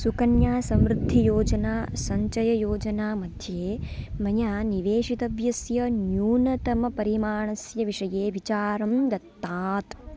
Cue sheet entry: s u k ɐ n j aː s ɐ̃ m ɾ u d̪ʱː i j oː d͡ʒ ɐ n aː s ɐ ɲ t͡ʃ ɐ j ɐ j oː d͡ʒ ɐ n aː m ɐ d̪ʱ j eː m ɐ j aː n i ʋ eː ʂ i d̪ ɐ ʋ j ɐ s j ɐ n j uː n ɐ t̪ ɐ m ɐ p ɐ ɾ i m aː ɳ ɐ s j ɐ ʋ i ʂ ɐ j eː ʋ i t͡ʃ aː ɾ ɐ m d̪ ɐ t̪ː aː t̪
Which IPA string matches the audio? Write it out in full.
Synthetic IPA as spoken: s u k ɐ n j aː s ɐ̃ m ɾ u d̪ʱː i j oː d͡ʒ ɐ n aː s ɐ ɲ t͡ʃ ɐ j ɐ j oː d͡ʒ ɐ n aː m ɐ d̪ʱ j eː m ɐ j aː n i ʋ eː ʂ i t̪ ɐ ʋ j ɐ s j ɐ n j uː n ɐ t̪ ɐ m ɐ p ɐ ɾ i m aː ɳ ɐ s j ɐ ʋ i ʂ ɐ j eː ʋ i t͡ʃ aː ɾ ɐ m d̪ ɐ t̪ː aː t̪